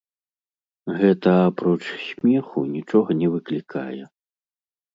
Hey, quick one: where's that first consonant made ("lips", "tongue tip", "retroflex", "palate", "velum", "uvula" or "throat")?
velum